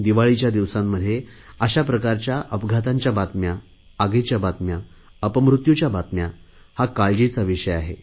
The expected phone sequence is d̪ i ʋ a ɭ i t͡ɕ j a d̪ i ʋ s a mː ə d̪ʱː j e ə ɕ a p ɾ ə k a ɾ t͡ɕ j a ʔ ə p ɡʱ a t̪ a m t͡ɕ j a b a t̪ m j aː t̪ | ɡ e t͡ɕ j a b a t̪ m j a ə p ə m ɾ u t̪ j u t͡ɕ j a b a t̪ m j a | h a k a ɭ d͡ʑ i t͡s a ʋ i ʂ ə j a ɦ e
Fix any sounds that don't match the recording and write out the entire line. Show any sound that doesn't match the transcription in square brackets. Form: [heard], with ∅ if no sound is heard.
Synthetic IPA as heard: d̪ i ʋ a ɭ i t͡ɕ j a d̪ i ʋ s a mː ə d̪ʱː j e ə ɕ a p ɾ ə k a ɾ t͡ɕ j a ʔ ə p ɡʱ a t̪ a [ɲ] t͡ɕ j a b a t̪ m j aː [∅] | ɡ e t͡ɕ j a b a t̪ m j a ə p ə m ɾ u t̪ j u t͡ɕ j a b a t̪ m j a | h a k a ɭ d͡ʑ i t͡s a ʋ i ʂ ə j a ɦ e

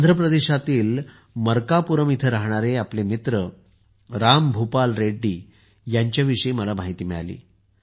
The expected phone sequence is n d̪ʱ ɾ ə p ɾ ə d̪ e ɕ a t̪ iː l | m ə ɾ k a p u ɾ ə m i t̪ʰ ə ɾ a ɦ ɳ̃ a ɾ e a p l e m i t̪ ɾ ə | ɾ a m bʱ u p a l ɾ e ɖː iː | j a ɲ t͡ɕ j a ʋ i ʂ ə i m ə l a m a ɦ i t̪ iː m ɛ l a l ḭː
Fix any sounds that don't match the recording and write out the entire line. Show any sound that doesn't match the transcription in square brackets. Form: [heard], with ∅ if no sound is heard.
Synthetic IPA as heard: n d̪ʱ ɾ ə p ɾ ə d̪ e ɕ a t̪ iː l | m ə ɾ k a p u ɾ ə m i t̪ʰ ə ɾ a ɦ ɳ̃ a ɾ e a p l e m i t̪ ɾ ə | ɾ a m bʱ u p a l ɾ e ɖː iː | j a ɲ t͡ɕ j a ʋ i ʂ ə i m ə l a m a ɦ i t̪ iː m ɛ [ɭ] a l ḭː

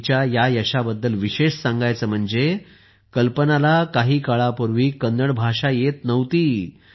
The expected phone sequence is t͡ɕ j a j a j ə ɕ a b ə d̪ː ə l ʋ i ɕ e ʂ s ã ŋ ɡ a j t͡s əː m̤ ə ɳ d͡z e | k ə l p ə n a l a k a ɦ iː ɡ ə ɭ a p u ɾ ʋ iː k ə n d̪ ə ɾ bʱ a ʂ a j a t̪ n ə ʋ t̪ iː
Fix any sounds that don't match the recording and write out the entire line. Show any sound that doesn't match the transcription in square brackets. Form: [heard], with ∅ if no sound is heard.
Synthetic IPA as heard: t͡ɕ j a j a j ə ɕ a b ə d̪ː ə l ʋ i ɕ e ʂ s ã ŋ ɡ a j t͡s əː m̤ ə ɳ d͡z e | k ə l p ə n a l a k a ɦ iː [k] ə ɭ a p u ɾ ʋ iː k ə n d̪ ə [ɽ] bʱ a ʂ a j [e] t̪ n ə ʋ t̪ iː

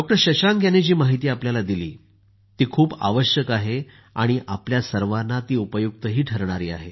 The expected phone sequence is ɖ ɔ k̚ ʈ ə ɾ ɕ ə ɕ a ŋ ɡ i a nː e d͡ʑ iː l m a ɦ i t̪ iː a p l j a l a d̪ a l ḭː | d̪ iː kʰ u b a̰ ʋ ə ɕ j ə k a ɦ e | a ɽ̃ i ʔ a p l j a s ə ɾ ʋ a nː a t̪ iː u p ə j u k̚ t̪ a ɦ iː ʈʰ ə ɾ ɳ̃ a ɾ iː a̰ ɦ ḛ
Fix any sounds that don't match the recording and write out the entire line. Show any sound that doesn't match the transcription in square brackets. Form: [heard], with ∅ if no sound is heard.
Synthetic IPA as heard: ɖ ɔ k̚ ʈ ə ɾ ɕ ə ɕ a ŋ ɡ [j] a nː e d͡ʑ iː [∅] m a ɦ i t̪ iː a p l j a l a d̪ [i] l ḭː | [t̪] iː kʰ [uː] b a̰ ʋ ə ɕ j ə k a ɦ e | a ɽ̃ i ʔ a p l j a s ə ɾ ʋ a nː a t̪ iː u p ə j u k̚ t̪ [ə] ɦ iː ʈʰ ə ɾ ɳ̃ a ɾ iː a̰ ɦ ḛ

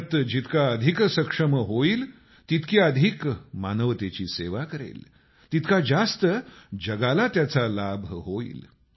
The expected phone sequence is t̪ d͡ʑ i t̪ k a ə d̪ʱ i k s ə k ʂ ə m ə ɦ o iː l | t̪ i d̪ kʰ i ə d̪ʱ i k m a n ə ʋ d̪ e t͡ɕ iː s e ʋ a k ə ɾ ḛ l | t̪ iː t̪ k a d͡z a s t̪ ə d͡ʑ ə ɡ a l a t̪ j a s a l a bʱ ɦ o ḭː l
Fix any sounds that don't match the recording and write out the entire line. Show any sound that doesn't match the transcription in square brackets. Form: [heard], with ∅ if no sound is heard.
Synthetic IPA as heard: t̪ d͡ʑ i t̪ k a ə d̪ʱ i k s ə k ʂ ə m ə ɦ o iː l | t̪ i [t̪] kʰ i ə d̪ʱ i k m a n ə ʋ [t̪] e t͡ɕ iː s e ʋ a k ə ɾ ḛ l | t̪ [i] t̪ k a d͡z a s t̪ ə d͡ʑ ə ɡ a l a t̪ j a [t͡s] a l a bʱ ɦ o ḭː l

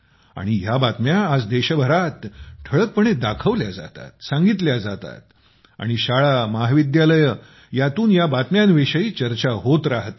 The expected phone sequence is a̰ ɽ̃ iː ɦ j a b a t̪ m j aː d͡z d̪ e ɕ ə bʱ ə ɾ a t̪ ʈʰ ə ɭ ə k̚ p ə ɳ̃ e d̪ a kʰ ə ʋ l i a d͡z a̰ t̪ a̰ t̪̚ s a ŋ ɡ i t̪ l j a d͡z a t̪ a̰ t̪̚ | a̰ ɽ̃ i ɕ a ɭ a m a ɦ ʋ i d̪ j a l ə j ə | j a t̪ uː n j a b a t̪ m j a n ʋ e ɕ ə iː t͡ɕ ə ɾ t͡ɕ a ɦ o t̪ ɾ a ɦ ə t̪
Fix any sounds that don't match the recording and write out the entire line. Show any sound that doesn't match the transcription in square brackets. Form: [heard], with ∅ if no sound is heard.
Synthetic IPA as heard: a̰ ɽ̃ [i] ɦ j a b a t̪ m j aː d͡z d̪ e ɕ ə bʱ ə ɾ a t̪ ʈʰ ə ɭ ə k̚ p ə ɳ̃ e d̪ a kʰ ə ʋ l [j] a d͡z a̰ t̪ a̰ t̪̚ s a ŋ ɡ i t̪ l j a d͡z a t̪ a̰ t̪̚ | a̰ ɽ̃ i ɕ a ɭ a m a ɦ ʋ i d̪ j a l ə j ə | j a t̪ uː n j a b a t̪ m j a n ʋ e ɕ ə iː t͡ɕ ə ɾ t͡ɕ a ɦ o t̪ ɾ a ɦ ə t̪

